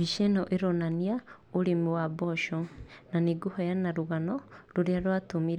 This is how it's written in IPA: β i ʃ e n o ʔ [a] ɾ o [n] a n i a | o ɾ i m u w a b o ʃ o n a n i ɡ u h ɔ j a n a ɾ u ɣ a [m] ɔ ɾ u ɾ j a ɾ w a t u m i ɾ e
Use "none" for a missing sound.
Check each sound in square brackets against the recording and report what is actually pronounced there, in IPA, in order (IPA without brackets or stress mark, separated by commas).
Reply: e, n, n